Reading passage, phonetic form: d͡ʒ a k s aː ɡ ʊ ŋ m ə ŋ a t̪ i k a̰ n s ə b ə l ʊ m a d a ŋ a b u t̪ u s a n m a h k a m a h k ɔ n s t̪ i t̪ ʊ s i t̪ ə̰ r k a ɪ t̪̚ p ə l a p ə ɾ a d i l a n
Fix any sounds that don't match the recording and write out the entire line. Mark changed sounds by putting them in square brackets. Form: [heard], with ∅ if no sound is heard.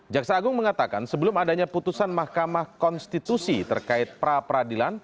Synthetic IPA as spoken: d͡ʒ a k s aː ɡ ʊ ŋ m ə ŋ a t̪ [a] k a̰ n s ə b ə l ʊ m a d a [ɲ] a [p] u t̪ u s a n m a h k a m a h k ɔ n s t̪ i t̪ [u] s i t̪ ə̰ r k a ɪ t̪̚ p ə [ɾ] a p ə ɾ a d i l a n